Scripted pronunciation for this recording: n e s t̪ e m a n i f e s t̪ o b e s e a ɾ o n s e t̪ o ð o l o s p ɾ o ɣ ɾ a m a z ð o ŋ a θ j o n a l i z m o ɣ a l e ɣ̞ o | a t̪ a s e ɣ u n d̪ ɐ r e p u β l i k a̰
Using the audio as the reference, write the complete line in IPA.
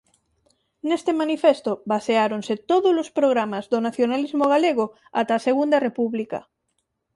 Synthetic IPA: n e s t̪ e m a n i f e s t̪ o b a s e a ɾ o n s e t̪ o ð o l o s p ɾ o ɣ ɾ a m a z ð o n a θ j o n a l i z m o ɣ a l e ɣ̞ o | a t̪ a s e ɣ u n d̪ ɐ r e p u β l i k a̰